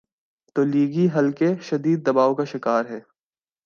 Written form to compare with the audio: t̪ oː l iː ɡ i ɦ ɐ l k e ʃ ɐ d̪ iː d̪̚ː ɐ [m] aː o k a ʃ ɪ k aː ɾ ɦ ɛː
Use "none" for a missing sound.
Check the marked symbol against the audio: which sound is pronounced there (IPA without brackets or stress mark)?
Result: b